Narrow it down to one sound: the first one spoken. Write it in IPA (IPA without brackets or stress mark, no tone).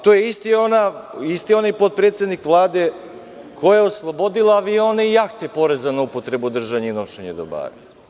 t̪